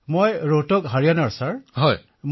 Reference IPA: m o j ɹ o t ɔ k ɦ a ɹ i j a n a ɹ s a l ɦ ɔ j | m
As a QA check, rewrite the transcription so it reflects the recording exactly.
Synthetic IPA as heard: m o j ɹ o t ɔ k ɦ a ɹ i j a n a ɹ s a ɹ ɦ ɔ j | m